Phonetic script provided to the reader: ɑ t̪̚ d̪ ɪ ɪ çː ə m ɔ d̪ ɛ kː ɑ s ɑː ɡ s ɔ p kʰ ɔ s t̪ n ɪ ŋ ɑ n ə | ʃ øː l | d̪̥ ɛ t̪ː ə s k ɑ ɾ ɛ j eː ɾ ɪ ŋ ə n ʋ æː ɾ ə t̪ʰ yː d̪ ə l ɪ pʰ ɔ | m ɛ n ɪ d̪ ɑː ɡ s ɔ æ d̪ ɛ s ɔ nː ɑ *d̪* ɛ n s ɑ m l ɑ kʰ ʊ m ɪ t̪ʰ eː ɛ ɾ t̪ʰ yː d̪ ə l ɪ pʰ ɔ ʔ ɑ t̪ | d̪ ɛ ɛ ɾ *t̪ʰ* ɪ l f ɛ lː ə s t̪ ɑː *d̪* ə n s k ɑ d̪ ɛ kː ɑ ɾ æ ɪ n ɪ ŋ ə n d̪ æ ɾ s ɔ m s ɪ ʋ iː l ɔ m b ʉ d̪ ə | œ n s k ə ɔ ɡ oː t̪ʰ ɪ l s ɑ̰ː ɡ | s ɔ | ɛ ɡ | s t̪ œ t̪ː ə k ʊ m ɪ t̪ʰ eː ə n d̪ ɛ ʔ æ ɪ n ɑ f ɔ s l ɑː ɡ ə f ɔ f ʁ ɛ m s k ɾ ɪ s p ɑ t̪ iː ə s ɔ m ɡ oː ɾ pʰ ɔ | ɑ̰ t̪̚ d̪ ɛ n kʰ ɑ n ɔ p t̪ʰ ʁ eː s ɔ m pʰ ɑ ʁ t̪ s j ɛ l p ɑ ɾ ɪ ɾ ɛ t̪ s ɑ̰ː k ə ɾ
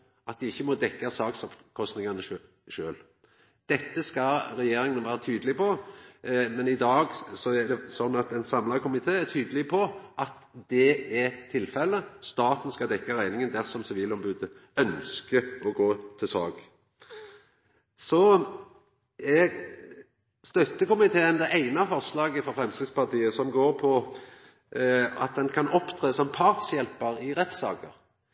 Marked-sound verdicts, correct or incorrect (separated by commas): incorrect, correct, incorrect